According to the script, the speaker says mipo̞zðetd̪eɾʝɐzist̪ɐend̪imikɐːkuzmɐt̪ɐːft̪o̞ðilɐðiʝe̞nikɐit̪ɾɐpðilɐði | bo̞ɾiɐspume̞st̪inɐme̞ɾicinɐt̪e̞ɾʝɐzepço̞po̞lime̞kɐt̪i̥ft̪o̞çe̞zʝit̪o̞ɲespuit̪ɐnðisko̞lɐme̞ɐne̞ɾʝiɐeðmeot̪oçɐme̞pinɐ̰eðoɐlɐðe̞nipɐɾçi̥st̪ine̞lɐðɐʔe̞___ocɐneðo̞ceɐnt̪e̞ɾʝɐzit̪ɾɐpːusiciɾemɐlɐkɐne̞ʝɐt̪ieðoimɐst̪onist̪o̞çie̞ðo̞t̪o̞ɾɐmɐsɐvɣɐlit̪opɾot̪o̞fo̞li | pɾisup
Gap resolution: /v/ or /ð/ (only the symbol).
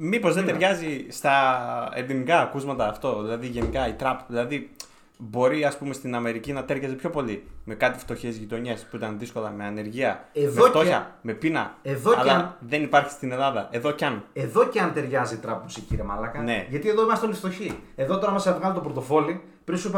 ð